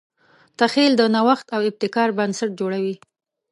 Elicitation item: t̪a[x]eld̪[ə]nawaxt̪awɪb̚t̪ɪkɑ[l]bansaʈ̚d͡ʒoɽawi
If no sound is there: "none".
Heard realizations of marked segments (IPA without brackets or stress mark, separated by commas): x, ə, ɾ